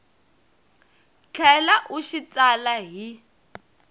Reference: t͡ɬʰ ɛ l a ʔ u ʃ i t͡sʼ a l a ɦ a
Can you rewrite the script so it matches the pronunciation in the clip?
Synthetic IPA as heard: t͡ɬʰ ɛ l a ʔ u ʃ i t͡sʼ a l a ɦ i